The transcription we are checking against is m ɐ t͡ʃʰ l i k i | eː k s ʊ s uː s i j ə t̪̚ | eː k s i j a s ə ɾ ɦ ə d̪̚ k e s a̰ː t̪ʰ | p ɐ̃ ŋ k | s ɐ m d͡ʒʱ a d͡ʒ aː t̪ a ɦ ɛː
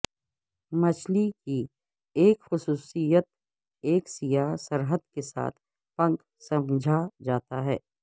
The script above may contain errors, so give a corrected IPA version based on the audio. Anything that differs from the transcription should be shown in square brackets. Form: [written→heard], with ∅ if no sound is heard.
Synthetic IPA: m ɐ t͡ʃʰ l i k i | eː k [s→x] ʊ s uː s i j ə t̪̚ | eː k s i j a s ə ɾ ɦ ə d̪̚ k e s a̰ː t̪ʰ | p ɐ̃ ŋ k | s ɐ m d͡ʒʱ a d͡ʒ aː t̪ a ɦ ɛː